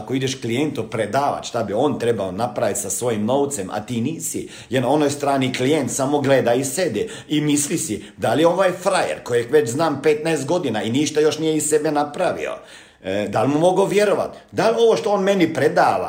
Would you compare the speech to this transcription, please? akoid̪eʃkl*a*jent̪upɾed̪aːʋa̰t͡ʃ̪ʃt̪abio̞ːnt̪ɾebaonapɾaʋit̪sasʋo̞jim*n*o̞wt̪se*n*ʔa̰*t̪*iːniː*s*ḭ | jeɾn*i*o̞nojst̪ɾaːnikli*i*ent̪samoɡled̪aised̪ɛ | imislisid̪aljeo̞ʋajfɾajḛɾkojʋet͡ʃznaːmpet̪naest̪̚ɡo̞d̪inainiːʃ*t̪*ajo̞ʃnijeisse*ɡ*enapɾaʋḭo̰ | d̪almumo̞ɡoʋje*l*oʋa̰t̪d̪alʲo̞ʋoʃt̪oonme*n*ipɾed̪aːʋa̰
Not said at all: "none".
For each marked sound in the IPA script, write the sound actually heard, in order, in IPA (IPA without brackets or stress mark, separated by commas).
i, n, m, t̪, s, a, j, t̪, b, ɾ, n